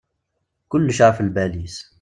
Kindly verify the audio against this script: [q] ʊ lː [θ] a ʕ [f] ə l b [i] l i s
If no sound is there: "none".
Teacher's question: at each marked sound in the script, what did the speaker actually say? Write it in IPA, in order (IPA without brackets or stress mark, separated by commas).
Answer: k, ʃ, f, æ